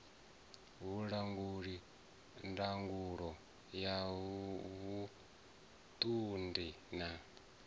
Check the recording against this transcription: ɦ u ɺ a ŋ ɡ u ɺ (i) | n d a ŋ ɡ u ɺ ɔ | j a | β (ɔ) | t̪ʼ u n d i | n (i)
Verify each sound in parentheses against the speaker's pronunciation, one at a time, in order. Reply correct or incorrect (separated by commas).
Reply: correct, incorrect, incorrect